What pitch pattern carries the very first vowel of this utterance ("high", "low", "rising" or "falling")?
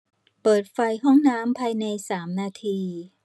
low